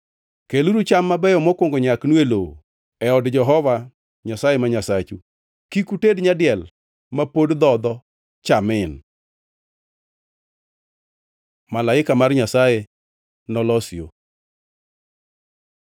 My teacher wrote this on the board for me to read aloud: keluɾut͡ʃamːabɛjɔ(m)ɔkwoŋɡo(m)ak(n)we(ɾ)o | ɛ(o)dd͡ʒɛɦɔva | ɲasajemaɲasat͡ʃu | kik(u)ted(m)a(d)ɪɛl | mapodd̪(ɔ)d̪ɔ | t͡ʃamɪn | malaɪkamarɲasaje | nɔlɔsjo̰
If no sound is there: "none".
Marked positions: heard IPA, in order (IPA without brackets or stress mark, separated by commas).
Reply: m, ɲ, n, l, ɔ, u, ɲ, d, ɔ